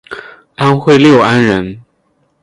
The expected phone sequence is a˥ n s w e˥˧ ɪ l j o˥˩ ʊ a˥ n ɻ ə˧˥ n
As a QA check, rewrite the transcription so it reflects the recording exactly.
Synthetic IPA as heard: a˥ n x w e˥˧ ɪ l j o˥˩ ʊ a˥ n ɻ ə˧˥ n